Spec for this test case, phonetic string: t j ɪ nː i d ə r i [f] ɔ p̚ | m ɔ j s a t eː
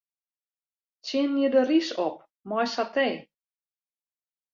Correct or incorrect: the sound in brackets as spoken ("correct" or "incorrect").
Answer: incorrect